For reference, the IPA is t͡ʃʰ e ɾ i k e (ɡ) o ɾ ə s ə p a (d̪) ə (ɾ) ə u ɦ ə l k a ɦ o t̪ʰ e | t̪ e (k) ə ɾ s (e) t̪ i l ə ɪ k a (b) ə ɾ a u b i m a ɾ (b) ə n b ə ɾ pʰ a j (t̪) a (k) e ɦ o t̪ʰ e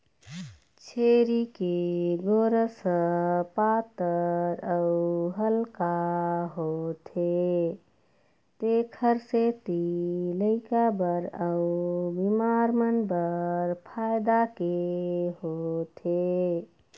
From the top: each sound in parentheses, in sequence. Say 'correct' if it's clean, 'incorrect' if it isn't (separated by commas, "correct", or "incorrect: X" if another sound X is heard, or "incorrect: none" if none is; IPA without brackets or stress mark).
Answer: correct, incorrect: t̪, correct, incorrect: kʰ, correct, correct, incorrect: m, incorrect: d̪, correct